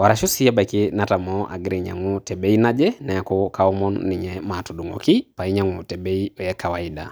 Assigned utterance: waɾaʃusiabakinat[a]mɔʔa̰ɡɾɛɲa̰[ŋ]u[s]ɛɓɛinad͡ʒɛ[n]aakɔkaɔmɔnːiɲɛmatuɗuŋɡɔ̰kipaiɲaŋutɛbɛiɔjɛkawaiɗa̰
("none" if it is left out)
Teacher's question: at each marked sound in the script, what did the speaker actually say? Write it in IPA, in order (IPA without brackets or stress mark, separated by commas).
a, ŋ, t, n